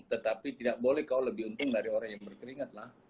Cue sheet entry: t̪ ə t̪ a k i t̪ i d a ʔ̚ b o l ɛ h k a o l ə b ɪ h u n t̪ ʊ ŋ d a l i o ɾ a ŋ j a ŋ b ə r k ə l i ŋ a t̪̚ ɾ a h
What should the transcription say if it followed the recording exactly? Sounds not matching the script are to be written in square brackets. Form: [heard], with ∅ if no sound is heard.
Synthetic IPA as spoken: t̪ ə t̪ a [p] i t̪ i d a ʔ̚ b o l ɛ h k a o l ə b ɪ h u n t̪ ʊ ŋ d a [ɾ] i o ɾ a ŋ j a ŋ b ə r k ə [ɾ] i ŋ a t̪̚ [l] a h